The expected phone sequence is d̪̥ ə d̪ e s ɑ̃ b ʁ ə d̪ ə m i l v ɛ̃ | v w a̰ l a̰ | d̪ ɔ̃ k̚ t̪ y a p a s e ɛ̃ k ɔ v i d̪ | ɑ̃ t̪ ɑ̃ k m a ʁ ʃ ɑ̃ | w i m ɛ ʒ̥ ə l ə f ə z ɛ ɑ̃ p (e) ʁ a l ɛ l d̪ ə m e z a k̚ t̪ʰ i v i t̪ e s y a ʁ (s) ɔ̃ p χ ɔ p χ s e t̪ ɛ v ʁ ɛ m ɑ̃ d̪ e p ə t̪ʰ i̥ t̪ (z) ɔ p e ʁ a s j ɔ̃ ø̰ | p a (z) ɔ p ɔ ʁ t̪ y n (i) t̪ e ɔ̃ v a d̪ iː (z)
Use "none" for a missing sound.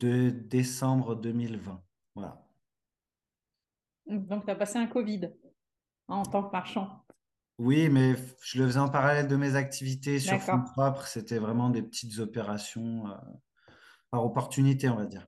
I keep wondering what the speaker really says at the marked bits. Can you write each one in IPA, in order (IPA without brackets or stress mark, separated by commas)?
a, f, z, ʁ, i, ʁ